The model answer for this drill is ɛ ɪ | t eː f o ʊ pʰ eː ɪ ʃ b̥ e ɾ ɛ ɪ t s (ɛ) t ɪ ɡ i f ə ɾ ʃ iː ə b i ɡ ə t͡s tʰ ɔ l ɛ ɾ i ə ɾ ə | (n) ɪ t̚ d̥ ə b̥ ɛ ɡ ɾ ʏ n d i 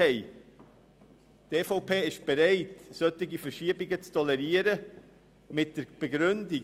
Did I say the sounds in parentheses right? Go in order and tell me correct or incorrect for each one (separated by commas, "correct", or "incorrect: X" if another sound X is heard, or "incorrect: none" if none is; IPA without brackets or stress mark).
incorrect: œ, incorrect: m